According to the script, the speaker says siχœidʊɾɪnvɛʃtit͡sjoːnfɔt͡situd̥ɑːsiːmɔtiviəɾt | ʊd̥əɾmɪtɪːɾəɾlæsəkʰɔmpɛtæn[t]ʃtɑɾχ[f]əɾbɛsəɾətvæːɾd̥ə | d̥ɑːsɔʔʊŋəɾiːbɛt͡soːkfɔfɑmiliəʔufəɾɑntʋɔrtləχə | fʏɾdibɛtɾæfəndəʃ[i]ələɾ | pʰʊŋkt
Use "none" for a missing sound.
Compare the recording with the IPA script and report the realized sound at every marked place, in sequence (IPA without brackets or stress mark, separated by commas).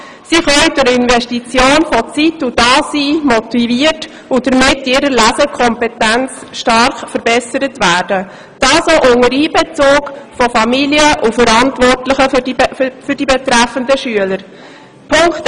t͡s, f, y